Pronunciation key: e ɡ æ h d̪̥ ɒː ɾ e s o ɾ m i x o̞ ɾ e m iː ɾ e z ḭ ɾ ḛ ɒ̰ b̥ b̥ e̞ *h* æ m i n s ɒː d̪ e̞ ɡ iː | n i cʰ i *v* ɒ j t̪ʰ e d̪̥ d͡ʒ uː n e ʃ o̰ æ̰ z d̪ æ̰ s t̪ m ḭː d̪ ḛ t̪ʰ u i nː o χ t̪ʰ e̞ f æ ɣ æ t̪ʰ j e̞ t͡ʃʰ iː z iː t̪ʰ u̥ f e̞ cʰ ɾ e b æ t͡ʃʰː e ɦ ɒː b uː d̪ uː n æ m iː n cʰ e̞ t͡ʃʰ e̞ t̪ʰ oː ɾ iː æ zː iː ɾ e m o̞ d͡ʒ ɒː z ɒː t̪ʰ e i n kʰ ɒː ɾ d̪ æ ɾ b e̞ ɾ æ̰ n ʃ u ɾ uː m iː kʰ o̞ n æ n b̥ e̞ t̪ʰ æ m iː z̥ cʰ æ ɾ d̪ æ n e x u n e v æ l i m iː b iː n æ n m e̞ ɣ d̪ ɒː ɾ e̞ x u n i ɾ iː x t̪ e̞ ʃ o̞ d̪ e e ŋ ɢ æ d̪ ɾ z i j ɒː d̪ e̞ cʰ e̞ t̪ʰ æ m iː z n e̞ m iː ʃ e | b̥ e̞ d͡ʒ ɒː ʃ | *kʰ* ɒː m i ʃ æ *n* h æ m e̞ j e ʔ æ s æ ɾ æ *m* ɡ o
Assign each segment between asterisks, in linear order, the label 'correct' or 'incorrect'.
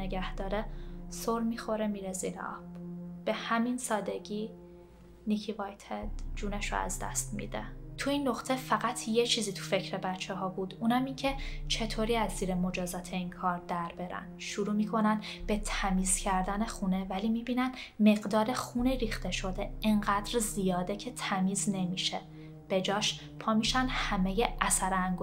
correct, correct, incorrect, correct, incorrect

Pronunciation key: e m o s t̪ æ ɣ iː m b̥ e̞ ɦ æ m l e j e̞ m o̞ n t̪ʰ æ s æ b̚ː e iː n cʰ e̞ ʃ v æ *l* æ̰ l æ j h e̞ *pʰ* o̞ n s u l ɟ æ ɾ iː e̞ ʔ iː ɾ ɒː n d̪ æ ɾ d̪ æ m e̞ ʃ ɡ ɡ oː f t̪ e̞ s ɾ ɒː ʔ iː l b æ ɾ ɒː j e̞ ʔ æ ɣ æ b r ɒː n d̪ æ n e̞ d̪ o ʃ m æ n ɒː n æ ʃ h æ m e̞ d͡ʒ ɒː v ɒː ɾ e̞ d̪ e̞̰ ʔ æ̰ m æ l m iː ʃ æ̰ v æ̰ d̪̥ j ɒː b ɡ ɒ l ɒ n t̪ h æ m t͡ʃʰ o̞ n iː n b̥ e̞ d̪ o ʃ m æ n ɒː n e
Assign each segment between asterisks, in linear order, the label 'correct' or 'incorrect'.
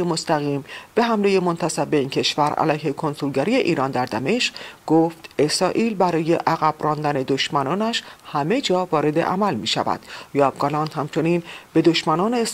incorrect, incorrect

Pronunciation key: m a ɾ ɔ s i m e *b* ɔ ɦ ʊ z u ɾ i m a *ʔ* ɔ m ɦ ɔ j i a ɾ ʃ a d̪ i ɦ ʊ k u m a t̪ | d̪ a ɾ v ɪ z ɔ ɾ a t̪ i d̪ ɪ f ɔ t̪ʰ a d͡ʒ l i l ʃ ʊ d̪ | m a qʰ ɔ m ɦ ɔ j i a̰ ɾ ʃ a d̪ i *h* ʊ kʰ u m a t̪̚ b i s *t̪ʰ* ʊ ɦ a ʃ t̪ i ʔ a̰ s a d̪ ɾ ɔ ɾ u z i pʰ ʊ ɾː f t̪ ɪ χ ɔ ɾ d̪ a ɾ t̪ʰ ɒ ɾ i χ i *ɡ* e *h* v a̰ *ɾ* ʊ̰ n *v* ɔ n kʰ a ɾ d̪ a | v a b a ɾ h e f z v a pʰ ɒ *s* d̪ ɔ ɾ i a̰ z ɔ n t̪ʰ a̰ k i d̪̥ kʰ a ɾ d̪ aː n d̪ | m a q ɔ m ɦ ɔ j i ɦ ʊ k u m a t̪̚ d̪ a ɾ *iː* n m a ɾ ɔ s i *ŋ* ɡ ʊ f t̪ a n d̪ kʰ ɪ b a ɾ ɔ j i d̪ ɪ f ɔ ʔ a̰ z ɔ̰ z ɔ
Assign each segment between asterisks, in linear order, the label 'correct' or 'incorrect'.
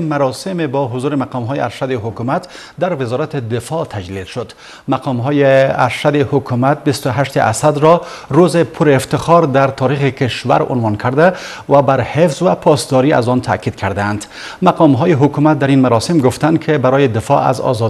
correct, incorrect, correct, incorrect, incorrect, incorrect, correct, correct, correct, incorrect, incorrect

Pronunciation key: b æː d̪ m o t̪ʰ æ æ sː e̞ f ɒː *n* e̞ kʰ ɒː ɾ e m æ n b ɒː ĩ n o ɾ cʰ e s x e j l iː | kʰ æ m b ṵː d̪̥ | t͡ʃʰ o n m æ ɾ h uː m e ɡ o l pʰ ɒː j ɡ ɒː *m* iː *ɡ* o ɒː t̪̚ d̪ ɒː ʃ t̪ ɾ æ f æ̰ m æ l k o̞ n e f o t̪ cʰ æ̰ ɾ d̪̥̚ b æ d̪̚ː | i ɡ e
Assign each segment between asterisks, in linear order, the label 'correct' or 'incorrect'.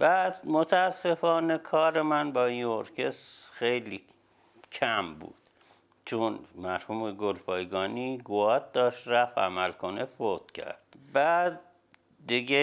correct, incorrect, correct

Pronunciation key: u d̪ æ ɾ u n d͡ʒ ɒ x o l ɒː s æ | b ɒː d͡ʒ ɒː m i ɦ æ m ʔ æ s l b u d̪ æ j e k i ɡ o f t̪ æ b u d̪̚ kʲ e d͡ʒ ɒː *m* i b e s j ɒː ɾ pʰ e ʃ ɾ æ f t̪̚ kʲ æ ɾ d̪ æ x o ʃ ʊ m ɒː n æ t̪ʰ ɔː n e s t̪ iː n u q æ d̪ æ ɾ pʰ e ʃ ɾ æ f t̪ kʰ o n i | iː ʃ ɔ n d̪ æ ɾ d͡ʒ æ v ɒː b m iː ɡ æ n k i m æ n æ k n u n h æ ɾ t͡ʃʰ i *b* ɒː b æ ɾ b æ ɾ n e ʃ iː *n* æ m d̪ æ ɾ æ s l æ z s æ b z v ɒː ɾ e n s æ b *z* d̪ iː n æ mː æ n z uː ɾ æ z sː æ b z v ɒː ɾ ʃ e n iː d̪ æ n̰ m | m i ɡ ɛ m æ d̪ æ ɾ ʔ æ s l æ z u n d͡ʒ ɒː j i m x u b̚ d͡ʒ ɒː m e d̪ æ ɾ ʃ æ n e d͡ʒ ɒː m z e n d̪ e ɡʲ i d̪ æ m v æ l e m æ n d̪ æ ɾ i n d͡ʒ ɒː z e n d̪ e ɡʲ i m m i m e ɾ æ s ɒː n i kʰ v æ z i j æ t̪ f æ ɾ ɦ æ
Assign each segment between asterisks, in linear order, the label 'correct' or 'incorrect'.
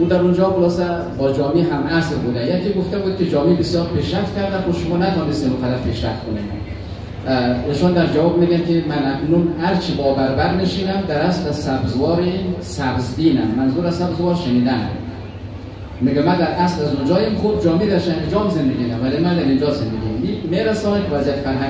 correct, correct, correct, correct

